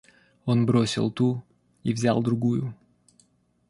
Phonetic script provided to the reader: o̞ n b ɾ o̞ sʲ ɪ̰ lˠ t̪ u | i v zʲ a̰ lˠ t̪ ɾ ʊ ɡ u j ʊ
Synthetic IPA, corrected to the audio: o̞ n b ɾ o̞ sʲ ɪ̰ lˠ t̪ u | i v zʲ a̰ lˠ d̪ ɾ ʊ ɡ u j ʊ